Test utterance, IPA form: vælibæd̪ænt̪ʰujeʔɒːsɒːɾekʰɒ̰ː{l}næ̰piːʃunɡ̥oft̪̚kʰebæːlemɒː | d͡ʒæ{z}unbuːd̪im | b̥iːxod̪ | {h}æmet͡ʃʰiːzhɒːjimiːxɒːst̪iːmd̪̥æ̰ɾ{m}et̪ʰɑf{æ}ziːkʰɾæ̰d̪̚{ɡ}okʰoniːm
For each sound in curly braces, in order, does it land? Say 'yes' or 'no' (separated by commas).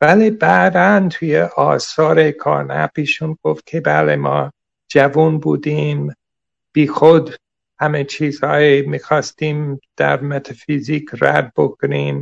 no, no, yes, yes, no, no